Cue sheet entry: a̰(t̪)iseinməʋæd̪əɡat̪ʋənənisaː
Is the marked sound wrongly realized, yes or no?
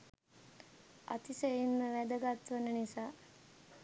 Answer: no